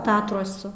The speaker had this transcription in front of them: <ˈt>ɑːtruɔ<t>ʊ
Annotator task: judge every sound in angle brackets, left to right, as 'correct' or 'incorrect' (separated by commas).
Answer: correct, incorrect